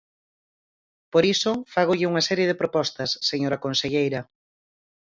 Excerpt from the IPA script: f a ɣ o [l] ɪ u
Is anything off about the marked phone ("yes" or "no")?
yes